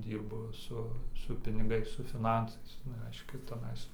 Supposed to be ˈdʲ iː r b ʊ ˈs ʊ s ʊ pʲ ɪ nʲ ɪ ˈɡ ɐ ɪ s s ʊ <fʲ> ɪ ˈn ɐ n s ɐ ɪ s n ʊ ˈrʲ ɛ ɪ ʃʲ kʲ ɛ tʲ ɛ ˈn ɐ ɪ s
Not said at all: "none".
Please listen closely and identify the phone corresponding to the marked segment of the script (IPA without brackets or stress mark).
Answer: fʲ